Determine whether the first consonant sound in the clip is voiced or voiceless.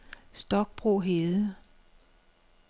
voiceless